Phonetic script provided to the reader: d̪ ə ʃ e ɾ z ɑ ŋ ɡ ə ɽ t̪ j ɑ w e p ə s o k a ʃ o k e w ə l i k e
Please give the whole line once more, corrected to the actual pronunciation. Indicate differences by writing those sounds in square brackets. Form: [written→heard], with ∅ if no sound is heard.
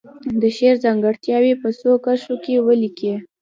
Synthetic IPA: d̪ ə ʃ e ɾ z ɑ ŋ ɡ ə ɽ t̪ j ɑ w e p ə s o k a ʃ o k e w ə l i k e